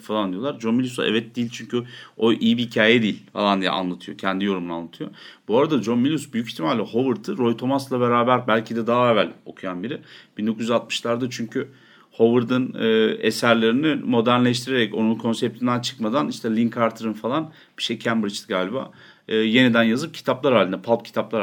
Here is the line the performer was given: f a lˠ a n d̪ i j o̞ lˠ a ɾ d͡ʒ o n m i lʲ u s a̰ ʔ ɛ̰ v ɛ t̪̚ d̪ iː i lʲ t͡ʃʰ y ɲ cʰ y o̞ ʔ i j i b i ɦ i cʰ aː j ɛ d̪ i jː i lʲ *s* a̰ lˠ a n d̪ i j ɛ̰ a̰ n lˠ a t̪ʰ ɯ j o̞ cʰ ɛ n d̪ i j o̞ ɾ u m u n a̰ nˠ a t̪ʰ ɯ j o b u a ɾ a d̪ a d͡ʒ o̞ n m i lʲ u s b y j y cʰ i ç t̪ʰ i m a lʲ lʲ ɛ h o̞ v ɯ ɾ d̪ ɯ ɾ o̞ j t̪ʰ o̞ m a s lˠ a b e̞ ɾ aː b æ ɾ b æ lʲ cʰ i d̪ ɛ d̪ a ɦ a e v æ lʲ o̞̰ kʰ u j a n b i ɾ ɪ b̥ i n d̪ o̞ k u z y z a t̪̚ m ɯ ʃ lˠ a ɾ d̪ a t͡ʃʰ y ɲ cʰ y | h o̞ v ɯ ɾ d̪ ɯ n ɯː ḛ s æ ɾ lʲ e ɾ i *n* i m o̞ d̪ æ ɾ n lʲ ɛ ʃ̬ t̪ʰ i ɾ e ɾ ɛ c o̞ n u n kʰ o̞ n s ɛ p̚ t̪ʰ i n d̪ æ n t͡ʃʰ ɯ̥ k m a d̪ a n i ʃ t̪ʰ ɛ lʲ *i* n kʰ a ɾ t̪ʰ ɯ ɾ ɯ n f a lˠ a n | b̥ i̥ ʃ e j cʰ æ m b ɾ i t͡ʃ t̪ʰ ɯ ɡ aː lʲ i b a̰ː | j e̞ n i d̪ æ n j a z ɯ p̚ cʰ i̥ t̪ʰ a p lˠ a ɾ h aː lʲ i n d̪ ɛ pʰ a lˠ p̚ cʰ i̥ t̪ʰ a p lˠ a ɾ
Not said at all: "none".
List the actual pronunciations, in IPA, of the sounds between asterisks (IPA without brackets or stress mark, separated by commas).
f, n, i